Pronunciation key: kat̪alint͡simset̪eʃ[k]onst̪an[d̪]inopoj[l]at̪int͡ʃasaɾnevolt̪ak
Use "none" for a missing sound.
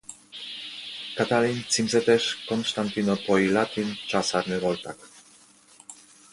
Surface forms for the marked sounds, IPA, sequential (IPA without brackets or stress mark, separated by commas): k, t̪, l